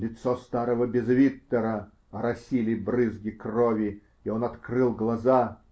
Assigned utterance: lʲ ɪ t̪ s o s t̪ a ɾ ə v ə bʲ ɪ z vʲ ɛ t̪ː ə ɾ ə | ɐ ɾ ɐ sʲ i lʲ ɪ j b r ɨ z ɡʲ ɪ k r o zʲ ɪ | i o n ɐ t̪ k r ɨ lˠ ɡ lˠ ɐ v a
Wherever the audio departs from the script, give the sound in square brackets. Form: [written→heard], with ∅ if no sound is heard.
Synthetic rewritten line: lʲ ɪ t̪ s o s t̪ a ɾ ə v ə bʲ ɪ z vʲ [ɛ→i] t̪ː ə ɾ ə | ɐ ɾ ɐ sʲ i lʲ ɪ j b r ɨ z ɡʲ ɪ k r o [zʲ→vʲ] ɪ | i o n ɐ t̪ k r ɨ lˠ ɡ lˠ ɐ [v→z] a